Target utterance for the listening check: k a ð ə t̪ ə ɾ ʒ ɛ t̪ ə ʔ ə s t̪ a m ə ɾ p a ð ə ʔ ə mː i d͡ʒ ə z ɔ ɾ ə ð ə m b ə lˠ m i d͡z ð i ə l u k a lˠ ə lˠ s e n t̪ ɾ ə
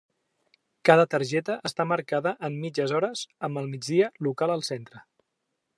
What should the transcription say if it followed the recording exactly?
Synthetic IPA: k a ð ə t̪ ə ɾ ʒ ɛ t̪ ə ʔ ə s t̪ a m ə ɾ k a ð ə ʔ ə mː i d͡ʒ ə z ɔ ɾ ə z ə m b ə lˠ m i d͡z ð i ə l u k a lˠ ə lˠ s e n t̪ ɾ ə